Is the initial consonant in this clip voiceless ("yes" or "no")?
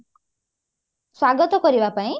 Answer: yes